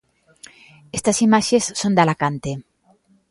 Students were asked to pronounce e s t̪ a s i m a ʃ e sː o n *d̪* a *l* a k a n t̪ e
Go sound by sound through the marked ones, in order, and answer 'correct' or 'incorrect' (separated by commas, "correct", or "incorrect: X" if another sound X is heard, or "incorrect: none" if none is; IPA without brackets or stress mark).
correct, correct